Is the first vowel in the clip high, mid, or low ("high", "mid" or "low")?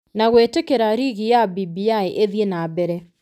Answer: low